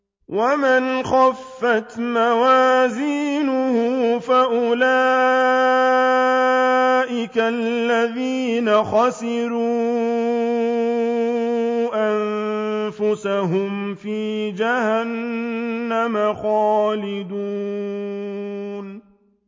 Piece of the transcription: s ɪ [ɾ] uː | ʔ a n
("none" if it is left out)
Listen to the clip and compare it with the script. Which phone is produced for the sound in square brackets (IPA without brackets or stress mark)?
ɾ